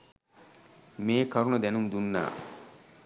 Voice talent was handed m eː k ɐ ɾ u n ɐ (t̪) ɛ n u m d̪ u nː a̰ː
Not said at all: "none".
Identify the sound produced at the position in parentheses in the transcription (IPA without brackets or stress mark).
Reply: d̪